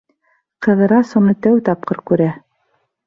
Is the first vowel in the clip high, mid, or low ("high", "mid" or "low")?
mid